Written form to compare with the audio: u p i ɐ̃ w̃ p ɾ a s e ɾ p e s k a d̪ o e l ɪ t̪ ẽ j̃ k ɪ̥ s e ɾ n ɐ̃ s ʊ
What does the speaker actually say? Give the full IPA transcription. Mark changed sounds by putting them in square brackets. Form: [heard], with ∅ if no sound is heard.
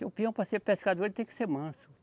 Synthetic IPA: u p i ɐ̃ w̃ p ɾ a s e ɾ p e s k a d̪ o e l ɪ t̪ ẽ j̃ k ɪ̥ s e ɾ [m] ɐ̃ s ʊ